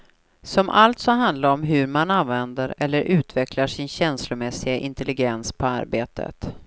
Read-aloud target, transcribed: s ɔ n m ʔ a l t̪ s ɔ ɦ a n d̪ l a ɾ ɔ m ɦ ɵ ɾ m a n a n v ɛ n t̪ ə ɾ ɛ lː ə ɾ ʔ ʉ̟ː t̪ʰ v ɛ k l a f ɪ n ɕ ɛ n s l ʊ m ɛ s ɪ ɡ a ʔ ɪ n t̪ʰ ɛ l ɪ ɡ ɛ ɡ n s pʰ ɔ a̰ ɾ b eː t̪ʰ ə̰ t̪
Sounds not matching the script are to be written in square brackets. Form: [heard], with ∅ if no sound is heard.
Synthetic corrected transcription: s ɔ [∅] m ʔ a l t̪ s ɔ ɦ a n d̪ l a ɾ ɔ m ɦ ɵ ɾ m a n a n v ɛ n [d̪] ə ɾ ɛ lː ə ɾ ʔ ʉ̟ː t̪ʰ v ɛ k l a [ʂ] ɪ n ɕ ɛ n s l ʊ m ɛ s ɪ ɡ a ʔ ɪ n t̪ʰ ɛ l ɪ ɡ ɛ [∅] n s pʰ ɔ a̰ ɾ b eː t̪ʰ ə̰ t̪